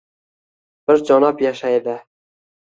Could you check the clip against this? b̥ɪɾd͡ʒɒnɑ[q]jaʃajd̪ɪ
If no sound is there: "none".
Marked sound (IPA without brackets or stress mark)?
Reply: p